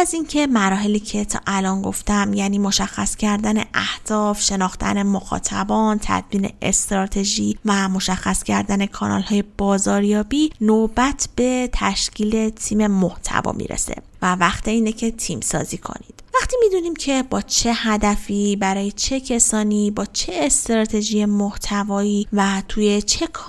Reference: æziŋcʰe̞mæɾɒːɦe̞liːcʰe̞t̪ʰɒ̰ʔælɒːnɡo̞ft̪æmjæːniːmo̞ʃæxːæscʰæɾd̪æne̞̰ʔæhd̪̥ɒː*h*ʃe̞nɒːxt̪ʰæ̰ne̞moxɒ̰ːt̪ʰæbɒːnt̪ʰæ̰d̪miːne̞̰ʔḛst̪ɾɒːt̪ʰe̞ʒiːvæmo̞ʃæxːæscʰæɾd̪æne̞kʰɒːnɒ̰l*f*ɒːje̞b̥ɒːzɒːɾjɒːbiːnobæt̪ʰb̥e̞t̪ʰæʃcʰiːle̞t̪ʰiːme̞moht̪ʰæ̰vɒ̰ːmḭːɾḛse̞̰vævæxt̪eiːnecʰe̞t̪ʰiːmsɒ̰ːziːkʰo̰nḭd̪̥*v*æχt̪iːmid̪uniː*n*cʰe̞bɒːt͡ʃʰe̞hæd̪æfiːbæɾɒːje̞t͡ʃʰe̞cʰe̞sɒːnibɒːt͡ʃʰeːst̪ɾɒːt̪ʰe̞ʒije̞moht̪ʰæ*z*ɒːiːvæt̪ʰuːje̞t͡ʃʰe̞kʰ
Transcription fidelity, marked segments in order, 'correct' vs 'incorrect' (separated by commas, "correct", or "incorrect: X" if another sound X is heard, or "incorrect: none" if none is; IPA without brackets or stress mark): incorrect: f, incorrect: h, correct, incorrect: m, incorrect: v